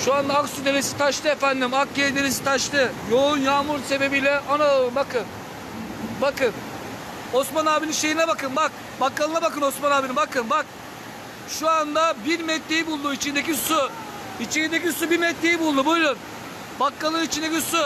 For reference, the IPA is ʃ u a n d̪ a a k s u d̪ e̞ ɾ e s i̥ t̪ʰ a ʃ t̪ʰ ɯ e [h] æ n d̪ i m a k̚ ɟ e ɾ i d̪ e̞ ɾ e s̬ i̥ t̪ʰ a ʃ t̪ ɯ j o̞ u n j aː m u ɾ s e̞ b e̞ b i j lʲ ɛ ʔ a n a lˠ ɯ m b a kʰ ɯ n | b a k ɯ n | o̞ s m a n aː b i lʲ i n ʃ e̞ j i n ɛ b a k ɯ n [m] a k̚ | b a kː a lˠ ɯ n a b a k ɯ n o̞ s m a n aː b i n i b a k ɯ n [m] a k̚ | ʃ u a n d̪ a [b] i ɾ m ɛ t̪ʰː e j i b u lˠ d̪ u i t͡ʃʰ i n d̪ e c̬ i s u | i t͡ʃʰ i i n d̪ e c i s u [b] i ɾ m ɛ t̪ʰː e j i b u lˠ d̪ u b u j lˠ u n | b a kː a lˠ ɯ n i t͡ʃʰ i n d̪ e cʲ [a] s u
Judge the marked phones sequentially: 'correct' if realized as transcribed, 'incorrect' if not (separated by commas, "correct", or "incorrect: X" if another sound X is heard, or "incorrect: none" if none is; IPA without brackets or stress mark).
incorrect: f, incorrect: b, incorrect: b, correct, correct, incorrect: i